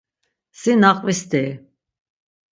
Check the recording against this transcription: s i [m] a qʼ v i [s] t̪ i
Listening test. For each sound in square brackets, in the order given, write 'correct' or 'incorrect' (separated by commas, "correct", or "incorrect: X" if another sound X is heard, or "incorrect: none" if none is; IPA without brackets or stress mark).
incorrect: n, correct